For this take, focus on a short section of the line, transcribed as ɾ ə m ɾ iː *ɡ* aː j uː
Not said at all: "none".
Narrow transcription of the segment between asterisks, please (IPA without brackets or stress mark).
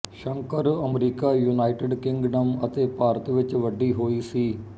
k